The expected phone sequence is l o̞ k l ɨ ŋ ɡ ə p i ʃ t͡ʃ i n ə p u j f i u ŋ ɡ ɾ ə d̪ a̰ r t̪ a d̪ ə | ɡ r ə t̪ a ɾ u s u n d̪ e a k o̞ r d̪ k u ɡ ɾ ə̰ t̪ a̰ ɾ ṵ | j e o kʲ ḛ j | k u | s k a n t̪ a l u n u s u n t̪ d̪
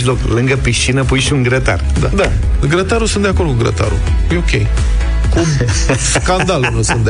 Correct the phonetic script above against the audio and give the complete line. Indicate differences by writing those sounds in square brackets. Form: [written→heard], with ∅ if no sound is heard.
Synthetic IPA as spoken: l o̞ k l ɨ ŋ ɡ ə p i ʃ t͡ʃ i n ə p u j [f→ʃ] i u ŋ ɡ ɾ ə [d̪→t̪] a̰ r [t̪→d̪] a d̪ [ə→a] | ɡ [r→ɾ] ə t̪ a ɾ u s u n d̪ e a k o̞ r d̪ k u ɡ ɾ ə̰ t̪ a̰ ɾ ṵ | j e o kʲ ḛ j | k u | s k a n [t̪→d̪] a l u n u s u n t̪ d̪